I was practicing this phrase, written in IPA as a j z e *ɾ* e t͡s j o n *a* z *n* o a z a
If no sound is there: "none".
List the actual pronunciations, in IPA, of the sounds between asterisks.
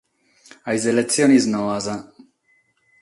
l, i, n

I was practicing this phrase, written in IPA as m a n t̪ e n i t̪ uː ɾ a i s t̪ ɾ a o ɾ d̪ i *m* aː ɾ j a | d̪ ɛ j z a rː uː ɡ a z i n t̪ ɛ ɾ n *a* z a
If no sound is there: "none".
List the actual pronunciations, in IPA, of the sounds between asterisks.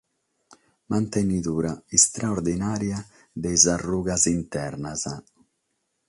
n, a

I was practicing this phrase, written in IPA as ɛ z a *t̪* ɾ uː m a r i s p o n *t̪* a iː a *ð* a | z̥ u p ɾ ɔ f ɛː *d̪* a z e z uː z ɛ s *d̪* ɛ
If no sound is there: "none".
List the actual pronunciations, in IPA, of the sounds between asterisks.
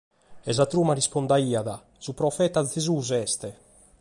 t̪, d̪, ð, t̪, t̪

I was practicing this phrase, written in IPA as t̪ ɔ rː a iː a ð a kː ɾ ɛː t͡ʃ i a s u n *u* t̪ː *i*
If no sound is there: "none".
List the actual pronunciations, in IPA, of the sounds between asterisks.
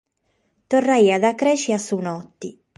ɔ, i

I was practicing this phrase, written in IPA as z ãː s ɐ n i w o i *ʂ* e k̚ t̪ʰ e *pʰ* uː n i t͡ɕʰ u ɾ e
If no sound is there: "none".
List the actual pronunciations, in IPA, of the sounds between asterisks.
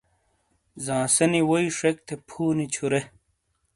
ʂ, pʰ

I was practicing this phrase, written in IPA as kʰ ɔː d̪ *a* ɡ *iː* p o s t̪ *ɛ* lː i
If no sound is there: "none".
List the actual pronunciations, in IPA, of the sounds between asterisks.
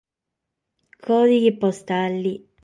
i, i, a

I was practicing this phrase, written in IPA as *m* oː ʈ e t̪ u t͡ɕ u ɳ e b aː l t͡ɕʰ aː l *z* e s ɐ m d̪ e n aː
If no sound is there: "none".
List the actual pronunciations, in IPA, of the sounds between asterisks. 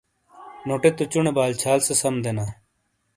n, s

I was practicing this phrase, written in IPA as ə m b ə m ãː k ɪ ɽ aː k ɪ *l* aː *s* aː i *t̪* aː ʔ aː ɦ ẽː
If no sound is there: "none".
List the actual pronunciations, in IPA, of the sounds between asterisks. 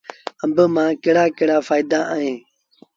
ɽ, f, d̪

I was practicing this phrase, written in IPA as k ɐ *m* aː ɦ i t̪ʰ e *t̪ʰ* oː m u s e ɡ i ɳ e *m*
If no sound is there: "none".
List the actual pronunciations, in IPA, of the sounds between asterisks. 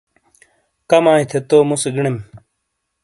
m, t̪, m

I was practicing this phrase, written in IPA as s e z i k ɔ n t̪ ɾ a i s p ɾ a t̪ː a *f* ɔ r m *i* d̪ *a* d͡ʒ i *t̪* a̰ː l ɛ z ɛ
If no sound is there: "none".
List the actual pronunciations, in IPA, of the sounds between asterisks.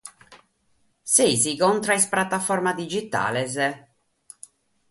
f, a, i, t̪

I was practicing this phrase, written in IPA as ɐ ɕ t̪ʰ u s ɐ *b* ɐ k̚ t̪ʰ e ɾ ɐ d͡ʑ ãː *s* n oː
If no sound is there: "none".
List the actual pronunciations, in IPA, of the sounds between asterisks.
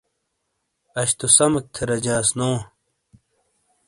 m, s

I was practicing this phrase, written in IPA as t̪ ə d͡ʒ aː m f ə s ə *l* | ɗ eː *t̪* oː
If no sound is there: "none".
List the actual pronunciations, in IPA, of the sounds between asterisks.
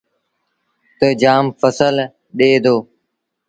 l, d̪

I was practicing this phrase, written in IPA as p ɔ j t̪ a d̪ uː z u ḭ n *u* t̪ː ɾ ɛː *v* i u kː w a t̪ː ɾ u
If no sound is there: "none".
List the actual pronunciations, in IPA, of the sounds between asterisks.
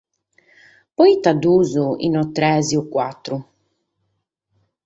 ɔ, z

